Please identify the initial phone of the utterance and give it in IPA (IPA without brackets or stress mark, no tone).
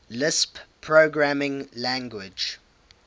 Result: l